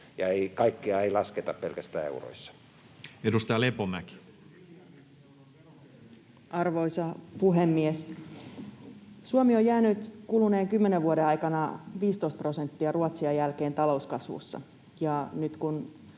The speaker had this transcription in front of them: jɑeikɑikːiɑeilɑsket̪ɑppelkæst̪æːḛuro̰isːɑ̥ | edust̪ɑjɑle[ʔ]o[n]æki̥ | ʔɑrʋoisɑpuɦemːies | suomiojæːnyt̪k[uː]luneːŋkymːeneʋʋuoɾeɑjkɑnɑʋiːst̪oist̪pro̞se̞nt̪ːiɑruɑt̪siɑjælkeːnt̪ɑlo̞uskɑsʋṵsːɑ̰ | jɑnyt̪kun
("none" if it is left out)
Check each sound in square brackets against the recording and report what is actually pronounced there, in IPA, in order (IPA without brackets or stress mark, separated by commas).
p, m, u